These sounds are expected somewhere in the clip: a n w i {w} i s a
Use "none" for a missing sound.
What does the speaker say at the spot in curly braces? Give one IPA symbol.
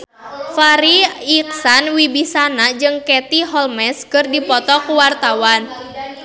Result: b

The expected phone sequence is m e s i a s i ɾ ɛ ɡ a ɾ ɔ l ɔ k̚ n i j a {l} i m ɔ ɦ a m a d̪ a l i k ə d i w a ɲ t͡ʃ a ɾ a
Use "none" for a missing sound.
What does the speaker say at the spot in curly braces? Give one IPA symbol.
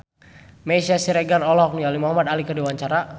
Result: l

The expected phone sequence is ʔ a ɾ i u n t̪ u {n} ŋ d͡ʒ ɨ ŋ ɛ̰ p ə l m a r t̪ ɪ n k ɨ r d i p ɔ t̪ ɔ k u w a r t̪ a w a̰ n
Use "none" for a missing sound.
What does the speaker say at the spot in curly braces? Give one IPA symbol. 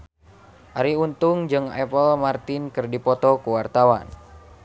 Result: none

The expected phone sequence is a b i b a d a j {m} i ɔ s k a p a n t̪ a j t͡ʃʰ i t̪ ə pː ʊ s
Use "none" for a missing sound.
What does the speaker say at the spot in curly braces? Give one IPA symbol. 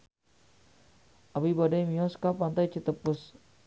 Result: m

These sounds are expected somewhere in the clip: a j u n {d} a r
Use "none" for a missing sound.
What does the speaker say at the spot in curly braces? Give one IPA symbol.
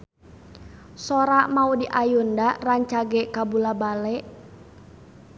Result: d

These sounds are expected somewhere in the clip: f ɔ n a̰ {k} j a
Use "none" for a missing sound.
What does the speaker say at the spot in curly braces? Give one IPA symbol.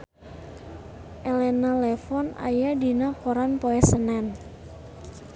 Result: none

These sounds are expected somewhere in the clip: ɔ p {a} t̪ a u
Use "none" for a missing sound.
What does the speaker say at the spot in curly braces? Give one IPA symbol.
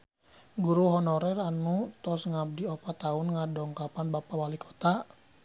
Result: a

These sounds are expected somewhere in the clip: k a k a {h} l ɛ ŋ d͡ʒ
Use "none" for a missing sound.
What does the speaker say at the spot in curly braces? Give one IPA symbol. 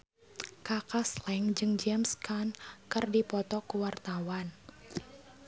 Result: s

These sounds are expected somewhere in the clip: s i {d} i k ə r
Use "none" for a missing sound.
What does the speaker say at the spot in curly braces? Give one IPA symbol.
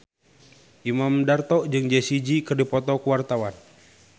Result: d͡ʒ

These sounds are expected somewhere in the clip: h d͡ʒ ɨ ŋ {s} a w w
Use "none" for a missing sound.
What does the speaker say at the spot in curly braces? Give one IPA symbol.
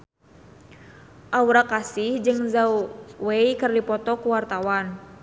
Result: z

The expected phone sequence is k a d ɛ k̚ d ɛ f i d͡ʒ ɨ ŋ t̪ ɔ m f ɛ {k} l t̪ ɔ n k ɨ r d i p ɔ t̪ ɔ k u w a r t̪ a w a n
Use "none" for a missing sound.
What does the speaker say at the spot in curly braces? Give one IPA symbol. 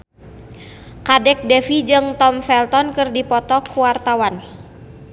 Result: none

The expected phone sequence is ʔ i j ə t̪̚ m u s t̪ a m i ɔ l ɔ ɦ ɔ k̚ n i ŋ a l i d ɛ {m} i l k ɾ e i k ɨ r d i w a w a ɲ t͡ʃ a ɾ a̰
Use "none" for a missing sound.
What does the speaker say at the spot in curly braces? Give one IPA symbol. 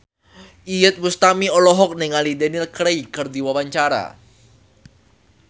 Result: n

